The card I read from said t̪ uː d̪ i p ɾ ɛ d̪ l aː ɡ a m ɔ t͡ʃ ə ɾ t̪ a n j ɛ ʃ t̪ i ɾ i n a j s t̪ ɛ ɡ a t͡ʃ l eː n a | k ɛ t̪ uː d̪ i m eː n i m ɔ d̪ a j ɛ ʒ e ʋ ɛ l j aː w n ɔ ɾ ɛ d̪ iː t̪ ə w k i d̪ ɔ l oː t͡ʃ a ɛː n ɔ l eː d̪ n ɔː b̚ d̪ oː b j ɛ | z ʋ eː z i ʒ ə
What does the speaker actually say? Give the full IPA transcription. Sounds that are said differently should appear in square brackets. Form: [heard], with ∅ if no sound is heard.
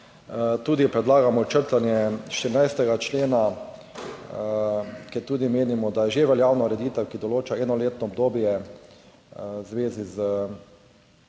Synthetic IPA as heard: t̪ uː d̪ i p ɾ ɛ d̪ l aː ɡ a m ɔ t͡ʃ ə ɾ t̪ a n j ɛ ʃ t̪ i ɾ i n a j s t̪ ɛ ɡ a t͡ʃ l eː n a | k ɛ t̪ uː d̪ i m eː n i m ɔ d̪ a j ɛ ʒ e ʋ ɛ l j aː w n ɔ ɾ ɛ d̪ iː t̪ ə w k i d̪ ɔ l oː t͡ʃ a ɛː n ɔ l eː [t̪] n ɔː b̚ d̪ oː b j ɛ | z ʋ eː z i [z] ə

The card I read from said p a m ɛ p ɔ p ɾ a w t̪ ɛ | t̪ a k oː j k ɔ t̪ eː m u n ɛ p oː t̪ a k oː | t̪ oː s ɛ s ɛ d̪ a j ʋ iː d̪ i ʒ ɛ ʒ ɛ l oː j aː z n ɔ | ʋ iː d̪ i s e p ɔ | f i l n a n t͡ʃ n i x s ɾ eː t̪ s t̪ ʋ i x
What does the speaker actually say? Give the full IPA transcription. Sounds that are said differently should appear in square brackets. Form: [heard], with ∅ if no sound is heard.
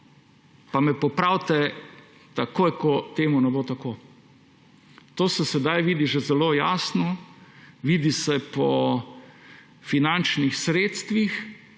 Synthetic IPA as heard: p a m ɛ p ɔ p ɾ a w t̪ ɛ | t̪ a k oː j k ɔ t̪ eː m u n ɛ [b] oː t̪ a k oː | t̪ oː s ɛ s ɛ d̪ a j ʋ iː d̪ i ʒ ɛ [z] ɛ l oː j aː [s] n ɔ | ʋ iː d̪ i s [ɛ] p ɔ | f i [∅] n a n t͡ʃ n i x s ɾ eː t̪ s t̪ ʋ i x

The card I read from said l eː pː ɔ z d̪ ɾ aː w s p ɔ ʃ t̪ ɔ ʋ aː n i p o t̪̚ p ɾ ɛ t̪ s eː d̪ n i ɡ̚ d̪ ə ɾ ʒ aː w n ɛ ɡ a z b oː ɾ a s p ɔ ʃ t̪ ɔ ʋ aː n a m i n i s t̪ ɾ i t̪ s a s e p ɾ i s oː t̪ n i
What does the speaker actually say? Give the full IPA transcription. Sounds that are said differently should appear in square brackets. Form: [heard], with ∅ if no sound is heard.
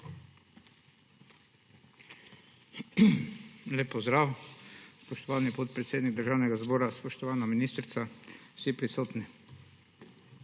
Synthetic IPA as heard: l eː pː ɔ z d̪ ɾ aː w s p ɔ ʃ t̪ ɔ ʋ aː n i p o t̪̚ p ɾ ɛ t̪ s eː d̪ n i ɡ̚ d̪ ə ɾ ʒ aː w n ɛ ɡ a z b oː ɾ a s p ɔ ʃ t̪ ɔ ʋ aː n a m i n i s t̪ ɾ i t̪ s a s [i] p ɾ i s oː t̪ n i

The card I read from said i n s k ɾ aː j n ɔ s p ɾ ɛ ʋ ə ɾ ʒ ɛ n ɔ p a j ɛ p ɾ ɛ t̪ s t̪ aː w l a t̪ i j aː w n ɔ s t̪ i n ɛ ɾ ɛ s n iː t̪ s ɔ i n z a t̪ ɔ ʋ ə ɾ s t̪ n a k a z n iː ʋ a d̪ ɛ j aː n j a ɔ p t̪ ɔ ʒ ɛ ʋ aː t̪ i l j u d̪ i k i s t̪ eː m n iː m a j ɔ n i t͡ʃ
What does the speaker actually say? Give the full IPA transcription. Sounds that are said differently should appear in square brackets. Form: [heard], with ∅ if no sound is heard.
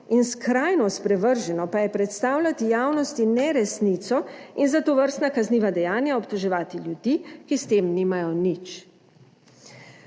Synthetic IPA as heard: i n s k ɾ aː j n ɔ s p ɾ ɛ ʋ ə ɾ ʒ ɛ n ɔ p a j ɛ p ɾ ɛ t̪ s t̪ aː w l a t̪ i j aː w n ɔ s t̪ i n ɛ ɾ ɛ s n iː t̪ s ɔ i n z a t̪ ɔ ʋ ə ɾ s t̪ n a k a z n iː ʋ a d̪ ɛ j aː n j a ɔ p t̪ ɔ ʒ ɛ ʋ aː t̪ i l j u d̪ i k i s t̪ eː m n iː m a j ɔ n i t͡ʃ

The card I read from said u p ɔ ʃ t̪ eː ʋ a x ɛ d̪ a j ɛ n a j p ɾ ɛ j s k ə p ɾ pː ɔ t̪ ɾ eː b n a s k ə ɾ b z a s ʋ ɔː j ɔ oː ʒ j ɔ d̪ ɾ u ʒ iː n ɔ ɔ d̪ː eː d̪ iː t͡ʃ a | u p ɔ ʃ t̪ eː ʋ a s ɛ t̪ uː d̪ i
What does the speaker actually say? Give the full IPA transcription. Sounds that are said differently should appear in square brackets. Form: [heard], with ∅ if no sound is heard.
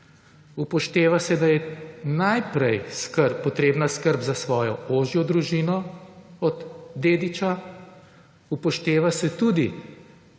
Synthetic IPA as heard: u p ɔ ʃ t̪ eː ʋ a [s] ɛ d̪ a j ɛ n a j p ɾ ɛ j s k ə [∅] ɾ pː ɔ t̪ ɾ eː b n a s k ə ɾ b z a s ʋ ɔː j ɔ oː ʒ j ɔ d̪ ɾ u ʒ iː n ɔ ɔ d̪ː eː d̪ [i] t͡ʃ a | u p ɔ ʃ t̪ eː ʋ a s ɛ t̪ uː d̪ i

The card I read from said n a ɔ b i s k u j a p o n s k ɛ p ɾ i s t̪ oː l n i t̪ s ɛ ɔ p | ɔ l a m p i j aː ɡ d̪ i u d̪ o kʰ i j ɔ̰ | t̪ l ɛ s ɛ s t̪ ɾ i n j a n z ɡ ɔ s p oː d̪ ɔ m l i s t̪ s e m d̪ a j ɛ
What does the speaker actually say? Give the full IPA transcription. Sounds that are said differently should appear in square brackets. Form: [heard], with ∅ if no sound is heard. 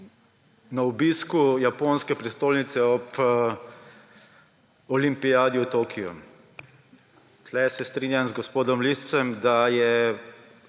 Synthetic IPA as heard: n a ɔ b i s k u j a p o n s k ɛ p ɾ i s t̪ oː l n i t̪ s ɛ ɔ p | ɔ l [i] m p i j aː [∅] d̪ i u [t̪] o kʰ i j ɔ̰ | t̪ l ɛ s ɛ s t̪ ɾ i n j a n z ɡ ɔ s p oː d̪ ɔ m l i s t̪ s [ɛ] m d̪ a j ɛ

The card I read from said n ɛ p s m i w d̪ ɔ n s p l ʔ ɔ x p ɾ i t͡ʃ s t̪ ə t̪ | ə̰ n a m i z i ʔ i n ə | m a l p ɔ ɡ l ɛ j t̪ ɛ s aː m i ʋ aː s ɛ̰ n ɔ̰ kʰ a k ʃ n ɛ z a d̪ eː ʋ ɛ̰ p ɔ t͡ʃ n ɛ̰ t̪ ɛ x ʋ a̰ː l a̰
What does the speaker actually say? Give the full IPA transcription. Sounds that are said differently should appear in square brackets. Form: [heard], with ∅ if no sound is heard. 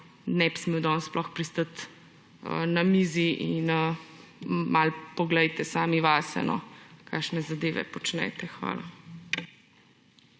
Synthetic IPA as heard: n ɛ p s m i w d̪ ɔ n s p l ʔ ɔ x p ɾ i [∅] s t̪ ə t̪ | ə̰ n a m i z i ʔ i n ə | m a l p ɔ ɡ l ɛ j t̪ ɛ s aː m i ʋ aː s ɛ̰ n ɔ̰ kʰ a k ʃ n ɛ z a d̪ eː ʋ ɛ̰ p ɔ t͡ʃ n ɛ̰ t̪ ɛ x ʋ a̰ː l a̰

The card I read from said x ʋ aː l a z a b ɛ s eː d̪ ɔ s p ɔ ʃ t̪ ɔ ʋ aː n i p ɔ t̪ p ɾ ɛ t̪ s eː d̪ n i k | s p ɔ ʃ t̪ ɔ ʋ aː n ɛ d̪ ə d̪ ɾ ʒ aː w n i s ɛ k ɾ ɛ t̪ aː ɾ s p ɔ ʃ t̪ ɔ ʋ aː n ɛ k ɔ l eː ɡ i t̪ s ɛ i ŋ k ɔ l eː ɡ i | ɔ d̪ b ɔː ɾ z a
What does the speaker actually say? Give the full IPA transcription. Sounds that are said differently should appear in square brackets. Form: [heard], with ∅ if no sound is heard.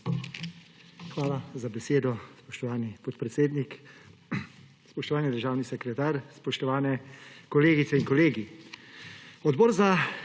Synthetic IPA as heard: x ʋ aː l a z a b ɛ s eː d̪ ɔ s p ɔ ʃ t̪ ɔ ʋ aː n i p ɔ t̪ p ɾ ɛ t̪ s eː d̪ n i k | s p ɔ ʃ t̪ ɔ ʋ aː n [i] d̪ ə [∅] ɾ ʒ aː w n i s ɛ k ɾ ɛ t̪ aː ɾ s p ɔ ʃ t̪ ɔ ʋ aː n ɛ k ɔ l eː ɡ i t̪ s ɛ i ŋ k ɔ l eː ɡ i | ɔ d̪ b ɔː ɾ z a

